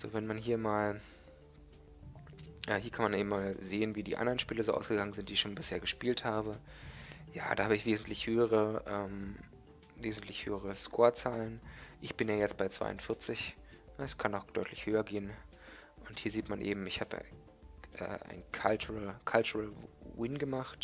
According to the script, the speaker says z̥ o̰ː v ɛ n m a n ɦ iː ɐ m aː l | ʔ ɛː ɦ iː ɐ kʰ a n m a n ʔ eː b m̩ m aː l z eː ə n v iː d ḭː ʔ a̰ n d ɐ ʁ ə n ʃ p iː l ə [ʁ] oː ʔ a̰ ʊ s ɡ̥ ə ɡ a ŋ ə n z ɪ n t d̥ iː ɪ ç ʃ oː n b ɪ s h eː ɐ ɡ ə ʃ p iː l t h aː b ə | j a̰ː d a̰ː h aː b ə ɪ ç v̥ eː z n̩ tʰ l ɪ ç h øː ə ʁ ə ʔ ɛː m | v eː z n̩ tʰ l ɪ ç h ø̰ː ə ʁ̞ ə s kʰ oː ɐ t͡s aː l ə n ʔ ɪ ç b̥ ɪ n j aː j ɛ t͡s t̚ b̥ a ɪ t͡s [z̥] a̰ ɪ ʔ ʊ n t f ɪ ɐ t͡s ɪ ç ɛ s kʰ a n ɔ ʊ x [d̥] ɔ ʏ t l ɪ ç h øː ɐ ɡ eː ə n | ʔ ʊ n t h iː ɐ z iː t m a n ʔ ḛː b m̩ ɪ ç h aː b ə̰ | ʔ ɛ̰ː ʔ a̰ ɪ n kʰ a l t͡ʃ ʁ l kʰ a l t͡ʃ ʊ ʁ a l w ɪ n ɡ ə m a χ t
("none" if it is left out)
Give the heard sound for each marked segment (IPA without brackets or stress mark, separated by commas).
z, v̥, d̥